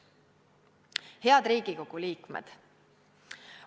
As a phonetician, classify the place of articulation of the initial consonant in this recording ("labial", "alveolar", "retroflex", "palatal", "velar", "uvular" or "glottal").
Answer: glottal